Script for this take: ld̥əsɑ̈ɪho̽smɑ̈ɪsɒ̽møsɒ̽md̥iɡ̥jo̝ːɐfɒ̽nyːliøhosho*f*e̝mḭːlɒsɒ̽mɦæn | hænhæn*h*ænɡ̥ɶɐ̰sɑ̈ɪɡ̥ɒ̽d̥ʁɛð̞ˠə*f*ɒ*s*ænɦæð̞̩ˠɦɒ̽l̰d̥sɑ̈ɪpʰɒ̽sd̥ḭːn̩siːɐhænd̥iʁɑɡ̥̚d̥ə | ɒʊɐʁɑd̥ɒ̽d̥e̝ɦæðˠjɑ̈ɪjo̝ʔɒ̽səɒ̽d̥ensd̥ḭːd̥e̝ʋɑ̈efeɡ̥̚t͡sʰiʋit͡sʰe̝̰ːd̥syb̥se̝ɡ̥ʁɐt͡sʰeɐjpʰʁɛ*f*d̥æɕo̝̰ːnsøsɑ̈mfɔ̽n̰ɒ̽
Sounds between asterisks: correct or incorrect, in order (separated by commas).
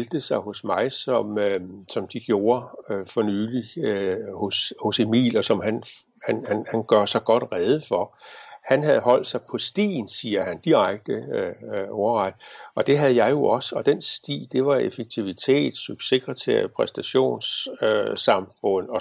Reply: incorrect, correct, correct, incorrect, incorrect